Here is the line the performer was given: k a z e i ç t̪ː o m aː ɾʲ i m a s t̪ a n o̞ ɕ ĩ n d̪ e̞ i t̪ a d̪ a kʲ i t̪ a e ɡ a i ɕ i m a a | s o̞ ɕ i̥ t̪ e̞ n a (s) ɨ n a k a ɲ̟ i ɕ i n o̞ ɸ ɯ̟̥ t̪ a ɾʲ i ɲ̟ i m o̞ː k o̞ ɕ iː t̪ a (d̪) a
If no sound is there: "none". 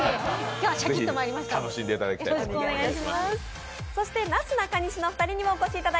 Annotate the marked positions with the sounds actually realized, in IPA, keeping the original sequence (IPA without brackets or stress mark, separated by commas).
t͡s, d̪